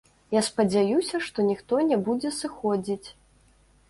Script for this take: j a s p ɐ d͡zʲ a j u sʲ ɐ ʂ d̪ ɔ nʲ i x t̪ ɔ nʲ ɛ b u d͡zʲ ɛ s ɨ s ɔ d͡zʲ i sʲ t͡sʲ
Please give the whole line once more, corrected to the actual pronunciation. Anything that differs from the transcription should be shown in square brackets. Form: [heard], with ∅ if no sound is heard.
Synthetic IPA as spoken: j a s p ɐ d͡zʲ a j u sʲ ɐ ʂ [t̪] ɔ nʲ i x t̪ ɔ nʲ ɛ b u d͡zʲ ɛ s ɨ [x] ɔ d͡zʲ i [∅] t͡sʲ